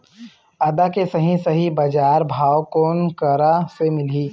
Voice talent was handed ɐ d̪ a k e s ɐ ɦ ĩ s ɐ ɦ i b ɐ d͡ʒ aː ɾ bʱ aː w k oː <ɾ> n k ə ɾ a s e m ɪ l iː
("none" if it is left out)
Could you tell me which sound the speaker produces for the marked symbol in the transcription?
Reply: none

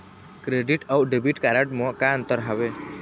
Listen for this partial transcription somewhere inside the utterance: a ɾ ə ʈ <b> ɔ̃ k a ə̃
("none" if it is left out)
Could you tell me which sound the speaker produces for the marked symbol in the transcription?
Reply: m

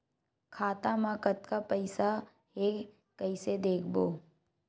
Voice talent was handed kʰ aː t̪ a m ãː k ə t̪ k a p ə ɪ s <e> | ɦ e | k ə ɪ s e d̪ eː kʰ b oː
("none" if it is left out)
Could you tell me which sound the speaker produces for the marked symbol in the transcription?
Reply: a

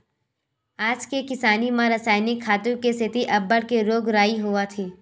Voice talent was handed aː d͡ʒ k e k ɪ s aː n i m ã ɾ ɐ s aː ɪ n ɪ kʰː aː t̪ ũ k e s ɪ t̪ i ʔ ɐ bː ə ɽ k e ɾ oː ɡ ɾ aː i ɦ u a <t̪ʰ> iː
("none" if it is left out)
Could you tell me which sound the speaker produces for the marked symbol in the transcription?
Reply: t̪ʰ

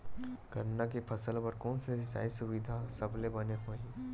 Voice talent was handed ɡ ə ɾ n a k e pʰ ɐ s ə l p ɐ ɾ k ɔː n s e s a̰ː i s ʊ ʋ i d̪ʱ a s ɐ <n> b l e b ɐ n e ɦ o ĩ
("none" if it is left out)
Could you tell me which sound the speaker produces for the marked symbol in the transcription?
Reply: none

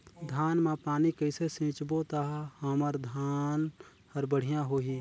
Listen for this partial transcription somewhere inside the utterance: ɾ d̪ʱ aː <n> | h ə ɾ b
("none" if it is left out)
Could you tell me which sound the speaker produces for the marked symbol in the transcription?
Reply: n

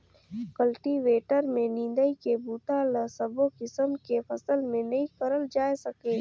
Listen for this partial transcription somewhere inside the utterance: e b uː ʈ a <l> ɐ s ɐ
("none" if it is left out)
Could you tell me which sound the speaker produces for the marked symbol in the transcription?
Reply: l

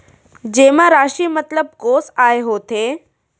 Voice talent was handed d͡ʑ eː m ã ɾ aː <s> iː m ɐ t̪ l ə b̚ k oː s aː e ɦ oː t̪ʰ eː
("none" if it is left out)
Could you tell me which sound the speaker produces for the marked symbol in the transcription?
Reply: ʃ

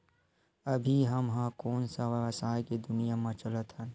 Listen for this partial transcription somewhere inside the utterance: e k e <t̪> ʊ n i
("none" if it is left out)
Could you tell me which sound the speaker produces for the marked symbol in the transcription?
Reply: d̪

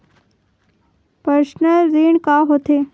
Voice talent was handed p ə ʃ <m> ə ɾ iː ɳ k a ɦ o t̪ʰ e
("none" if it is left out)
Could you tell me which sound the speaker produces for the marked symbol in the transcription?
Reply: n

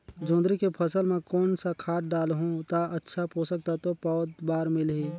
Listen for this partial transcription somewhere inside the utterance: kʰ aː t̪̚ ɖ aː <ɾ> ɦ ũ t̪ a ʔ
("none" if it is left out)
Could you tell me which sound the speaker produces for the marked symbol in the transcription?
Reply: l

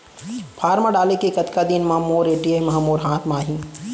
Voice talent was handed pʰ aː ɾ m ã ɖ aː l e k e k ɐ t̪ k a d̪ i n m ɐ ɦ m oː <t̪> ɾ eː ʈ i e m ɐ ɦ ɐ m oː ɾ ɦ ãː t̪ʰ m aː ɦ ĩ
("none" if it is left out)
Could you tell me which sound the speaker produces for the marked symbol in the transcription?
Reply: none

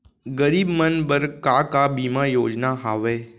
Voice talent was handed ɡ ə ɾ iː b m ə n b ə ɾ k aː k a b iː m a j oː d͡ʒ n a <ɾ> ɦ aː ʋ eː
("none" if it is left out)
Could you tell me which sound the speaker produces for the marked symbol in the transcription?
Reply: none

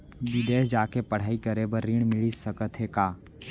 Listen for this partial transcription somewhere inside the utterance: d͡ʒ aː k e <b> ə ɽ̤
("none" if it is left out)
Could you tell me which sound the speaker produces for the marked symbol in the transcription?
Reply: p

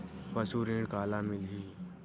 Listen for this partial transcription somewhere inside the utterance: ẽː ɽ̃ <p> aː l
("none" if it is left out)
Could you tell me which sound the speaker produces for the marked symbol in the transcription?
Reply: k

